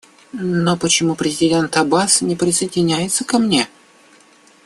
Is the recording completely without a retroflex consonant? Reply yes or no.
yes